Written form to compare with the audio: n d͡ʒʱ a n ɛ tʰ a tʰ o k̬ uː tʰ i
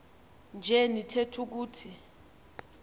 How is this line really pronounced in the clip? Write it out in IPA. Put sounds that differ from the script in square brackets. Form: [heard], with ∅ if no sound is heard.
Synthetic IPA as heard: n d͡ʒʱ [ɛ] n [i] tʰ [e] tʰ [u] k̬ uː tʰ i